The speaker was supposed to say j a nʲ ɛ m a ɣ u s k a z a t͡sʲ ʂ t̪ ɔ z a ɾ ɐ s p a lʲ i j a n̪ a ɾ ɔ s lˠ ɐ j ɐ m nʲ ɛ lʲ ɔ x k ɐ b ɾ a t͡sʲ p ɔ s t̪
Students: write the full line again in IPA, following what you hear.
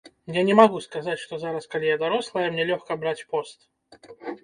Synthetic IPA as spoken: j a nʲ ɛ m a ɣ u s k a z a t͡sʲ ʂ t̪ ɔ z a ɾ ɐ s k a lʲ i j a d̪ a ɾ ɔ s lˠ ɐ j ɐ m nʲ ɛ lʲ ɔ x k ɐ b ɾ a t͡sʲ p ɔ s t̪